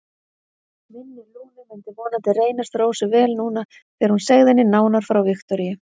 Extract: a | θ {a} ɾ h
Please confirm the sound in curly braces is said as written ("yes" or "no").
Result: no